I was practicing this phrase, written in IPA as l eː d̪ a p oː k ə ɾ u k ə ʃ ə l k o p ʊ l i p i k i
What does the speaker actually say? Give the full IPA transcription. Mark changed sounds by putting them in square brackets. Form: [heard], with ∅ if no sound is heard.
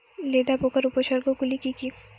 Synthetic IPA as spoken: l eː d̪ a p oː k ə ɾ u [p] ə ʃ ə [ɾ] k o [k] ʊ l i [k] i k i

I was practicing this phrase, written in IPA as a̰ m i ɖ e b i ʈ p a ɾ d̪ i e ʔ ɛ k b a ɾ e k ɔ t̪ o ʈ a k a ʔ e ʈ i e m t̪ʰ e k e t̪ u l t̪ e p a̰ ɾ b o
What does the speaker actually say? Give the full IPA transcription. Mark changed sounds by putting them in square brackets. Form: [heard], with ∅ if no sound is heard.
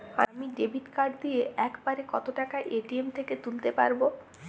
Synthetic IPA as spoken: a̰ m i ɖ e b i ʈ [k] a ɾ d̪ i e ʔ ɛ k b a ɾ e k ɔ t̪ o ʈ a k a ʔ e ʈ i e m t̪ʰ e k e t̪ u l t̪ e p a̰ ɾ b o

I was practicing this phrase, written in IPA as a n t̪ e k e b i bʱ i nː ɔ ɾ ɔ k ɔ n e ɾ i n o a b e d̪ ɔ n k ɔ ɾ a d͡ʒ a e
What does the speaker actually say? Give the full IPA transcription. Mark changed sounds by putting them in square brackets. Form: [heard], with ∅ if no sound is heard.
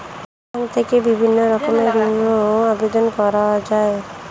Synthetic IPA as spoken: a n [t̪ʰ] e k e b i bʱ i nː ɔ ɾ ɔ k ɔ [m] e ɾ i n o a b e d̪ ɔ n k ɔ ɾ a d͡ʒ a e

